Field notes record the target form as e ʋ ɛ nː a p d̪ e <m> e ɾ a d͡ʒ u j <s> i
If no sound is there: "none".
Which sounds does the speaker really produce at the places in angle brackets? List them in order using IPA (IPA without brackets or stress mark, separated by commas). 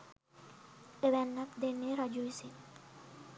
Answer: n, s